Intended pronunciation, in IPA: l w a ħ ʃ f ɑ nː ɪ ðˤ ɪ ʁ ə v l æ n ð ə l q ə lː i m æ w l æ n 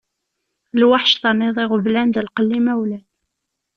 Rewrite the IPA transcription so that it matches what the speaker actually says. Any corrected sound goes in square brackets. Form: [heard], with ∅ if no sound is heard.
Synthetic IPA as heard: l w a ħ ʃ [θ] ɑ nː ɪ ðˤ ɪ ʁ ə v l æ n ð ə l q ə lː i m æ w l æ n